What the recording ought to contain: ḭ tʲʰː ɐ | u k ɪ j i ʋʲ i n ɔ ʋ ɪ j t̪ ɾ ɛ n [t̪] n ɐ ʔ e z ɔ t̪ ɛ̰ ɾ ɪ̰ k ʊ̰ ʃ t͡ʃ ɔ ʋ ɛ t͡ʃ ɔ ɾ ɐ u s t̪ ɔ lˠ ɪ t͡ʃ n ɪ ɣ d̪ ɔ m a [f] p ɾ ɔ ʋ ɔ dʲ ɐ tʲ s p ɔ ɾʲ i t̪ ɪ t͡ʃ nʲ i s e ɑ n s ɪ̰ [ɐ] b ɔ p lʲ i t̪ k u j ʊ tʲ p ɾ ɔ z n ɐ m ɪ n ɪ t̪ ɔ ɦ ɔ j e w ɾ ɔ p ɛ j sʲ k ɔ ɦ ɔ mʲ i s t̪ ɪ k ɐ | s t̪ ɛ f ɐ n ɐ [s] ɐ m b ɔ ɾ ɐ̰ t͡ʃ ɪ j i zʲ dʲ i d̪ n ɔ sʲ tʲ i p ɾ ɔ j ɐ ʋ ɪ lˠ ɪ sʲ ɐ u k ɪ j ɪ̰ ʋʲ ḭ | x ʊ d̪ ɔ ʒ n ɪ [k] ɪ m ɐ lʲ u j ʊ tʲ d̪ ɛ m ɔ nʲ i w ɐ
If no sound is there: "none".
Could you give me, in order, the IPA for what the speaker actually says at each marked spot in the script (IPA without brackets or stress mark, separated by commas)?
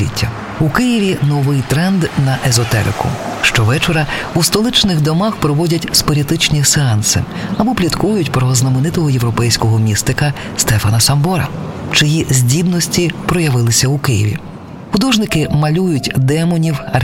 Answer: d̪, x, ɐ, s, k